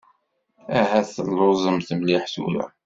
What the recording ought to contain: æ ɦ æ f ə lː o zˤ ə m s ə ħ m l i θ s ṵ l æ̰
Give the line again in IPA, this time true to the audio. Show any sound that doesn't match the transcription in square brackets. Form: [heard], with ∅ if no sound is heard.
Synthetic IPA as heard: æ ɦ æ [θ] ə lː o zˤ ə m [θ] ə [∅] m l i [ħ] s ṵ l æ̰